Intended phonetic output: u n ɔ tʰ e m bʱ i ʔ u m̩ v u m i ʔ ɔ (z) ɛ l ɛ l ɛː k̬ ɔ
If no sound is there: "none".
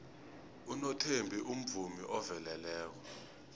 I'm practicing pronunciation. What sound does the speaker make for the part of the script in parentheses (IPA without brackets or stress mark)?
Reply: v